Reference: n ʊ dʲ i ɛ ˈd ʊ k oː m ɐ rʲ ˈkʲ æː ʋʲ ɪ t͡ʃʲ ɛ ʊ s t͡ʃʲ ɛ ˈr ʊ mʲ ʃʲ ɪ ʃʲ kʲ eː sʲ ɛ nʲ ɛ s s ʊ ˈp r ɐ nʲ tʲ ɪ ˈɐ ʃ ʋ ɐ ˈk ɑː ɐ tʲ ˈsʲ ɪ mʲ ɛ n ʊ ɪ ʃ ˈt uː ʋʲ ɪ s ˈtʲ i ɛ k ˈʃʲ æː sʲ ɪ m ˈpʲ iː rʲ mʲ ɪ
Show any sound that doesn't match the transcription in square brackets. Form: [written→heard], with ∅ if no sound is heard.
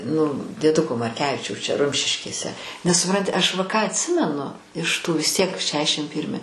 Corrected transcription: n ʊ dʲ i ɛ ˈd ʊ k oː m ɐ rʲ ˈkʲ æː ʋʲ ɪ t͡ʃʲ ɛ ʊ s t͡ʃʲ ɛ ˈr ʊ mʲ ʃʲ ɪ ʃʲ kʲ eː sʲ ɛ nʲ ɛ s s ʊ ˈp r ɐ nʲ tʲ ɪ ˈɐ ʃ ʋ ɐ ˈk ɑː ɐ tʲ ˈsʲ ɪ mʲ ɛ n ʊ ɪ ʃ ˈt uː ʋʲ ɪ s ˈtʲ i ɛ k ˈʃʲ æː [sʲ→ʃʲ] ɪ m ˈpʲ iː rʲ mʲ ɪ